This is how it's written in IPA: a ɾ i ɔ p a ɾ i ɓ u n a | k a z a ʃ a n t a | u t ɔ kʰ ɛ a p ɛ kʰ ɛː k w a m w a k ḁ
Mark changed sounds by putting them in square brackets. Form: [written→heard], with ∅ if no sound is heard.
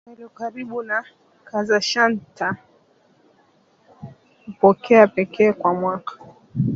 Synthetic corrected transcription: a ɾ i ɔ [p→k] a ɾ i ɓ u n a | k a z a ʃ a n t a | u [t→p] ɔ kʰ ɛ a p ɛ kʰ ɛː k w a m w a k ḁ

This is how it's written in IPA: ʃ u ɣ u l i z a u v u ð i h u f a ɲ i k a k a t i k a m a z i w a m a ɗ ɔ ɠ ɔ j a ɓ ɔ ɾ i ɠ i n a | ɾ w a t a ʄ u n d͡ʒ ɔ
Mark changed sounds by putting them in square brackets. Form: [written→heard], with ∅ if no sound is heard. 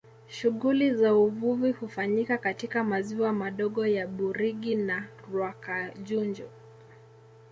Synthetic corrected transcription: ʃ u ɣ u l i z a u v u [ð→v] i h u f a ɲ i k a k a t i k a m a z i w a m a ɗ ɔ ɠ ɔ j a ɓ [ɔ→u] ɾ i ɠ i n a | ɾ w a [t→k] a ʄ u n d͡ʒ ɔ

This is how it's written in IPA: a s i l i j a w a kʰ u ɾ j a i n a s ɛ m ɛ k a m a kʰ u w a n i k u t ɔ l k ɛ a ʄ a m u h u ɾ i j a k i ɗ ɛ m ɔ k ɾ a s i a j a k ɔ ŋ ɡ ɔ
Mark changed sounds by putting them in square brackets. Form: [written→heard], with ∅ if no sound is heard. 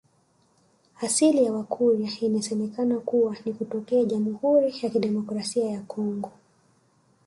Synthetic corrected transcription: a s i l i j a w a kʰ u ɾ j a i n a s ɛ m ɛ k a [m→n] a [kʰ→k] u w a n i k u t ɔ [l→∅] k ɛ a ʄ a m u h u ɾ i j a k i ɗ ɛ m ɔ k ɾ a s i a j a k ɔ ŋ ɡ ɔ

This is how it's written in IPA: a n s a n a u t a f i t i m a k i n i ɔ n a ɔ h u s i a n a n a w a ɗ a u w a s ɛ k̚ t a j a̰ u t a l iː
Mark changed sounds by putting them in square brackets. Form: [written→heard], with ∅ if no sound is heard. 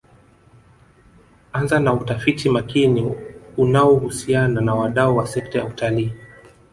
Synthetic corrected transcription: a n [s→z] a n a u t a f i t i m a k i n i [ɔ→u] n a ɔ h u s i a n a n a w a ɗ a u w a s ɛ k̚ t a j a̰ u t a l iː

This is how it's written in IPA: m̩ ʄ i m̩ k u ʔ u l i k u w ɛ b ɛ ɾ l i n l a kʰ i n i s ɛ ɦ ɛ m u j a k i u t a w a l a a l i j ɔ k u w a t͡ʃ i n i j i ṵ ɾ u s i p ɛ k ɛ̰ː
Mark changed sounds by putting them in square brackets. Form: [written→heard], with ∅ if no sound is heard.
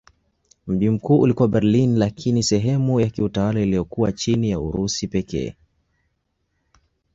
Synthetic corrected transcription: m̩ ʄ i m̩ k [u→uː] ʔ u l i k u w [ɛ→a] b ɛ ɾ l i n l a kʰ i n i s ɛ ɦ ɛ m u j a k i u t a w a l a [a→i] l i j ɔ k u w a t͡ʃ i n i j [i→a] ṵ ɾ u s i p ɛ k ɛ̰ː

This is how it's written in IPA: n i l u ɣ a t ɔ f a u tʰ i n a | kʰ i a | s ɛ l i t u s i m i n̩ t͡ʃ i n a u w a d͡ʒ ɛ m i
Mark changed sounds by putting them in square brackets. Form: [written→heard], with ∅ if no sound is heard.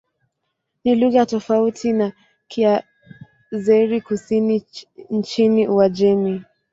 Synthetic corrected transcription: n i l u ɣ a t ɔ f a u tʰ i n a | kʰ i a | [s→z] ɛ [l→ɾ] i [t→k] u s i [m→n] i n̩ t͡ʃ i n [a→i] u w a d͡ʒ ɛ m i

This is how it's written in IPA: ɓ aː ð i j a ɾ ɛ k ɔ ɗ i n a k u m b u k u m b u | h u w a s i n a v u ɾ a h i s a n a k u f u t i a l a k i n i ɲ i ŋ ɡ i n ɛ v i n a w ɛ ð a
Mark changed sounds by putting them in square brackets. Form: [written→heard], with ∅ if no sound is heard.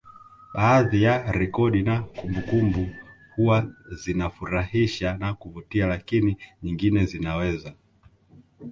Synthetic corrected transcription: ɓ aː ð i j a ɾ ɛ k ɔ ɗ i n a k u m b u k u m b u | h u w a [s→z] i n a [v→f] u ɾ a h i [s→ʃ] a n a k u [f→v] u t i a l a k i n i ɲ i ŋ ɡ i n ɛ [v→z] i n a w ɛ [ð→z] a

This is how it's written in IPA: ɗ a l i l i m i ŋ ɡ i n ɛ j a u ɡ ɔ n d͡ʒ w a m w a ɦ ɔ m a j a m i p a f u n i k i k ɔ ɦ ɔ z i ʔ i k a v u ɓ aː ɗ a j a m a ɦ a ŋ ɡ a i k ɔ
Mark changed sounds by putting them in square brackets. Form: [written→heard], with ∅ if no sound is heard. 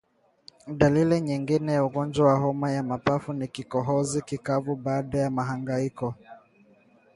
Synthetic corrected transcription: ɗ a l i l i [m→ɲ] i ŋ ɡ i n ɛ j a u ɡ ɔ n d͡ʒ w a [m→∅] w a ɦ ɔ m a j a m [i→a] p a f u n i k i k ɔ ɦ ɔ z i [ʔ→k] i k a v u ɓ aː ɗ a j a m a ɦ a ŋ ɡ a i k ɔ

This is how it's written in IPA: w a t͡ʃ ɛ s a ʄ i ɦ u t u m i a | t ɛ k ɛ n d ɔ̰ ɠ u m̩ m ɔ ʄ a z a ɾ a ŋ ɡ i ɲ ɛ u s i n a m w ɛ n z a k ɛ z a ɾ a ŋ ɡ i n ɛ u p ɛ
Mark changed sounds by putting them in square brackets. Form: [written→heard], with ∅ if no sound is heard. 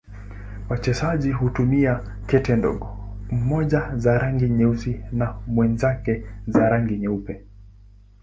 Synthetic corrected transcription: w a t͡ʃ ɛ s a ʄ i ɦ u t u m i a | [t→k] ɛ [k→t] ɛ n d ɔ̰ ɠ [u→ɔ] m̩ m ɔ ʄ a z a ɾ a ŋ ɡ i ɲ ɛ u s i n a m w ɛ n z a k ɛ z a ɾ a ŋ ɡ i [n→ɲ] ɛ u p ɛ

